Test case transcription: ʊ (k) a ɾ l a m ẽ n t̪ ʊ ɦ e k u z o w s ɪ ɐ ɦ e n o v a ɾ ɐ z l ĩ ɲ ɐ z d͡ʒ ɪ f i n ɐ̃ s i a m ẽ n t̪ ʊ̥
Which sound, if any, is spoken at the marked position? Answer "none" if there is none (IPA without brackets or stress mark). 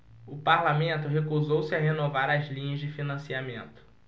p